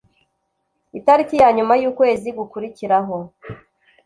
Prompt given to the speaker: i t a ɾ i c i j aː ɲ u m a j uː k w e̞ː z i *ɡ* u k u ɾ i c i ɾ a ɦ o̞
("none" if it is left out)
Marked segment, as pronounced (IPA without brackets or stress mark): ɡ